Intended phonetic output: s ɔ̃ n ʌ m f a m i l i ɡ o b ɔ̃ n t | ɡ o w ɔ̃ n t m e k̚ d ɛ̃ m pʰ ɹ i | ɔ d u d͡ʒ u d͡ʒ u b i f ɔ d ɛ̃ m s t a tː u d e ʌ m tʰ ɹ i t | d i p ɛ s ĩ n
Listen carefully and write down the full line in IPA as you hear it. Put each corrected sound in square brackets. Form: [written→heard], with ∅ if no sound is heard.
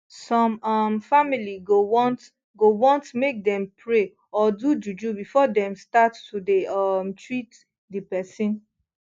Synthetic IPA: s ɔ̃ [n→m] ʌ m f a m i l i ɡ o [b→w] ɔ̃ n t | ɡ o w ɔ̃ n t m e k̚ d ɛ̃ m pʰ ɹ [i→e] | ɔ d u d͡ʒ u d͡ʒ u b i f ɔ d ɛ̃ m s t a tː u d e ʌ m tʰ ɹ i t | d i p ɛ s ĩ n